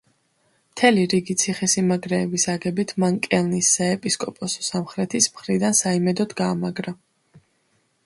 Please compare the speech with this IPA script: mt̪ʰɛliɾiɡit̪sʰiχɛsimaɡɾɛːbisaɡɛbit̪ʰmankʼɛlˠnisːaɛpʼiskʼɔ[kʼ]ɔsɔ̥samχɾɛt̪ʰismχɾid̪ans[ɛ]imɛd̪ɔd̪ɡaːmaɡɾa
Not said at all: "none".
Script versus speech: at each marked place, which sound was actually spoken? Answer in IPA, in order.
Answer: pʼ, a

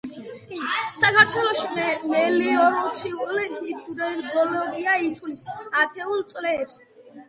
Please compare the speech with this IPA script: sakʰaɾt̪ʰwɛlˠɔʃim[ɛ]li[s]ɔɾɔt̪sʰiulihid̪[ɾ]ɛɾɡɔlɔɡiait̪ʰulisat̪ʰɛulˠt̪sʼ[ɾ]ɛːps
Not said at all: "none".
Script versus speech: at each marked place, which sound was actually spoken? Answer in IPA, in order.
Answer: ɛ, none, ɾ, l

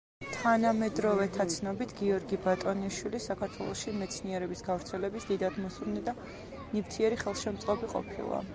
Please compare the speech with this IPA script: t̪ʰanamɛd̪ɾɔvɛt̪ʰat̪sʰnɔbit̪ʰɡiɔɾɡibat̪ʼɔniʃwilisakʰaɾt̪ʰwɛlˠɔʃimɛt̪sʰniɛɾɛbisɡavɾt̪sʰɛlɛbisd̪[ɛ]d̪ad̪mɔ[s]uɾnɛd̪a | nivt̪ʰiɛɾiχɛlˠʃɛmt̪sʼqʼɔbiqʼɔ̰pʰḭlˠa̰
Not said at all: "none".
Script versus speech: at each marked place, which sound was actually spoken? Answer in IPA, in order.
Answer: i, s

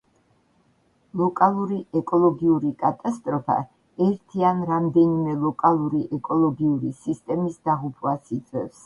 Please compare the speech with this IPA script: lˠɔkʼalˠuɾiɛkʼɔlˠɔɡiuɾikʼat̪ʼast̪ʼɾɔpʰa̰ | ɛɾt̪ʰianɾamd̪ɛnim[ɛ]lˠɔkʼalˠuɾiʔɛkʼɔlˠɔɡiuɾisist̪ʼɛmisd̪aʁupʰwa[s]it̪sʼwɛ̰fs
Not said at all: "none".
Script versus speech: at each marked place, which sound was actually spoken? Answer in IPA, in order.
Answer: ɛ, s

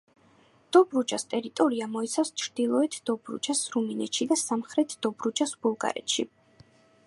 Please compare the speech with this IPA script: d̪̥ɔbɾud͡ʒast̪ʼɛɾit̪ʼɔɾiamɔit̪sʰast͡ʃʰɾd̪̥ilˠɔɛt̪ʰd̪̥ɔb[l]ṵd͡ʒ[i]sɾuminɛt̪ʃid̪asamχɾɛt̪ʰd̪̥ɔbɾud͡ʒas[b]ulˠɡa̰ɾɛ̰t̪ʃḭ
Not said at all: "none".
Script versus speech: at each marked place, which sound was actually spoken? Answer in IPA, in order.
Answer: ɾ, a, b

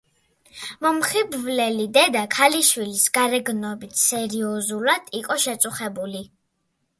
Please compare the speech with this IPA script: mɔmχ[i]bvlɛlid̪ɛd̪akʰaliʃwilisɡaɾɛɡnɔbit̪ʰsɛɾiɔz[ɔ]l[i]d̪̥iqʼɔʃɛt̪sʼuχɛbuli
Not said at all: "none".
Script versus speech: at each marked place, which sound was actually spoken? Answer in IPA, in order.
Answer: i, u, a

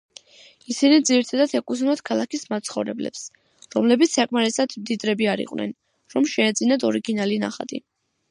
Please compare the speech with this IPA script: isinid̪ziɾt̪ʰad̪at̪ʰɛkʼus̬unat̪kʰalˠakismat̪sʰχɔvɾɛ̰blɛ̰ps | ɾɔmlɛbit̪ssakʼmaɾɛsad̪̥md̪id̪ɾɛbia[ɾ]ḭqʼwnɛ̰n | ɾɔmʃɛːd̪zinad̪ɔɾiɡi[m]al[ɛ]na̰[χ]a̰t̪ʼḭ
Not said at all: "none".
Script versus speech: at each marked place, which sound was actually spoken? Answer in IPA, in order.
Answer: ɾ, n, i, χ

